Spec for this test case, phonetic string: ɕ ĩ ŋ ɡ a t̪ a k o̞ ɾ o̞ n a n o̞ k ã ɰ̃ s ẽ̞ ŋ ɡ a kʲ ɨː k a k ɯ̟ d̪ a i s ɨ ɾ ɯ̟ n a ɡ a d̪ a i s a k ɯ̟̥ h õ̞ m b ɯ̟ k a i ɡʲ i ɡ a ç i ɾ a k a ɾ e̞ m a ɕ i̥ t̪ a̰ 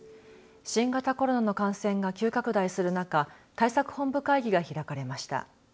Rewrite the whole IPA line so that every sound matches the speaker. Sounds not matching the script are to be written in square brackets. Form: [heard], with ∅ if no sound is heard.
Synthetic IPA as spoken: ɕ ĩ ŋ ɡ a t̪ a k o̞ ɾ o̞ n a n o̞ k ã ɰ̃ s ẽ̞ ŋ ɡ a kʲ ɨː k a k ɯ̟ d̪ a i s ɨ ɾ ɯ̟ n a [k] a [t̪] a i s a k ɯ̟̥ h õ̞ m b ɯ̟ k a i ɡʲ i ɡ a ç i ɾ a k a ɾ e̞ m a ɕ i̥ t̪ a̰